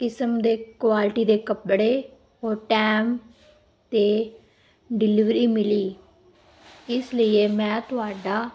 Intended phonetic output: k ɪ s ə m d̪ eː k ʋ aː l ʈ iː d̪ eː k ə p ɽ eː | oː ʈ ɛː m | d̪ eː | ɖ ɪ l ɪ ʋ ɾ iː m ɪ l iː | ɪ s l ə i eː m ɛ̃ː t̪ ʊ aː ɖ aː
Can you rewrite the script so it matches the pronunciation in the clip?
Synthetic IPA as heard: k ɪ s ə m d̪ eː k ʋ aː l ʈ iː d̪ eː k ə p ɽ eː | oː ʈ ɛː m | t̪ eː | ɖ ɪ l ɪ ʋ ɾ iː m ɪ l iː | ɪ s l ə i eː m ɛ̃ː t̪ ʊ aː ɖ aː